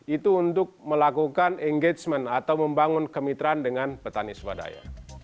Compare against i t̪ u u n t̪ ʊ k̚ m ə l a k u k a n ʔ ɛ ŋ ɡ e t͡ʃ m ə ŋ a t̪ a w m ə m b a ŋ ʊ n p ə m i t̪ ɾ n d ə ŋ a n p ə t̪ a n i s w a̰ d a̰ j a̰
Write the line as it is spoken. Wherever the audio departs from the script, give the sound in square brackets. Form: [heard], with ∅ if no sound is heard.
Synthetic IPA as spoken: i t̪ u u n t̪ ʊ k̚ m ə l a k u k a n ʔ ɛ ŋ ɡ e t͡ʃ m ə [n] a t̪ a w m ə m b a ŋ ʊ n [k] ə m i t̪ ɾ n d ə ŋ a n p ə t̪ a n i s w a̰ d a̰ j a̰

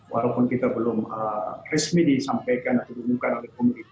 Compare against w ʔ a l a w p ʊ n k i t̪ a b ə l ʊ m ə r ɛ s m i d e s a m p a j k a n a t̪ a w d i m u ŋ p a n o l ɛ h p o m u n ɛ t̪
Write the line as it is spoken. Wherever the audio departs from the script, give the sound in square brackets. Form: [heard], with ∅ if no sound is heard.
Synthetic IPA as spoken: w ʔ a l a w p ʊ n k i t̪ a b ə l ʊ m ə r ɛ s m i d [i] s a m p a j k a n a t̪ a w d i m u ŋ [k] a n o l ɛ h [k] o m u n [i] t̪

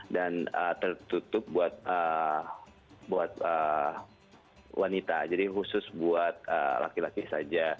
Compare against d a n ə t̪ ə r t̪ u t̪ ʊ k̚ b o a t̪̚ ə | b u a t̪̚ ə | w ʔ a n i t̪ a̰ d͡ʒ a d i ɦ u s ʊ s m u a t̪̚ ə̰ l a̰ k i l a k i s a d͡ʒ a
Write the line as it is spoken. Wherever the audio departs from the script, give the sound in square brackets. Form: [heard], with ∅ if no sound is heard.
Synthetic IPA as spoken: d a n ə t̪ ə r t̪ u t̪ ʊ [p̚] b [u] a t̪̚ ə | b u a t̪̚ ə | w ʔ a n i t̪ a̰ d͡ʒ a d i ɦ u s ʊ s [b] u a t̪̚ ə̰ l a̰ k i l a k i s a d͡ʒ a

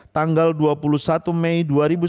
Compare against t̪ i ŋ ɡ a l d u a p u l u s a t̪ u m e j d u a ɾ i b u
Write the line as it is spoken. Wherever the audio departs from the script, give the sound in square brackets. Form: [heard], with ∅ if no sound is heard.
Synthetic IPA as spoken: t̪ [a] ŋ ɡ a l d u a p u l u s a t̪ u m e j d u a ɾ i b u

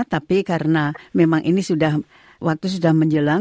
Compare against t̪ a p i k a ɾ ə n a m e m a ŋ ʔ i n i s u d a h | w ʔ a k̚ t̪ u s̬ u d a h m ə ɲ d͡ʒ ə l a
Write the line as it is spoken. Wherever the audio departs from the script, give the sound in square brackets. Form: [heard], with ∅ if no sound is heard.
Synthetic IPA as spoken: t̪ a p i k a ɾ ə n a m e m a ŋ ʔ i n i s u d a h | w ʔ a k̚ t̪ u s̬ u d a h m ə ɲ d͡ʒ ə l a

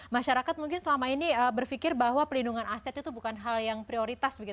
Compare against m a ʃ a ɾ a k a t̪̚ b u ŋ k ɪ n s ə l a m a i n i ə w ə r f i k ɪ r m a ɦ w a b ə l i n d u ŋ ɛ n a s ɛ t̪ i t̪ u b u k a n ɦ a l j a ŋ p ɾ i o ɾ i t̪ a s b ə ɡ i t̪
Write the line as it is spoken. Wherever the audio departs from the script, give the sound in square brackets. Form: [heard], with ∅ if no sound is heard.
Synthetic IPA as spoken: m a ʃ a ɾ a k a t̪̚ [m] u ŋ k ɪ n s ə l a m a i n i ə [b] ə r f i k ɪ r [b] a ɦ w a [p] ə l i n d u ŋ [a] n a s ɛ t̪ i t̪ u b u k a n ɦ a l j a ŋ p ɾ i o ɾ i t̪ a s b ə ɡ i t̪

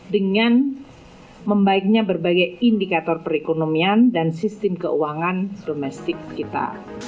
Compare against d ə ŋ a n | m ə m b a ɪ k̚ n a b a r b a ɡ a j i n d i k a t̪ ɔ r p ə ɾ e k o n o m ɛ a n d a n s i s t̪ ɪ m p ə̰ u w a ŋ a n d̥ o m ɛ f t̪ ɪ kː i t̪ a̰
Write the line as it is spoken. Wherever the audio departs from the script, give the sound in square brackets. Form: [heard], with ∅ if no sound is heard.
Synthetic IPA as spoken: d ə ŋ a n | m ə m b a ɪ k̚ [ɲ] a b [ə] r b a ɡ a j i n d i k a t̪ ɔ r p ə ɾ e k o n o m [i] a n d a n s i s t̪ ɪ m [k] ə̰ u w a ŋ a n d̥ o m ɛ [s] t̪ ɪ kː i t̪ a̰

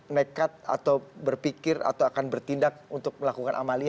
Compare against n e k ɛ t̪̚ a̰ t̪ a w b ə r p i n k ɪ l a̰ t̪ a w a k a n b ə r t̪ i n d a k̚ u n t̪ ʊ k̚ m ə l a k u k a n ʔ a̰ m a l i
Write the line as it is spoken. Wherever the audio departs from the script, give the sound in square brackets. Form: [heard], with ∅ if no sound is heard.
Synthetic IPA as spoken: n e k [a] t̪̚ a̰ t̪ a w b ə r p i [∅] k ɪ [r] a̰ t̪ a w a k a n b ə r t̪ i n d a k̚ u n t̪ ʊ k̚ m ə l a k u k a n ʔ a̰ m a l i

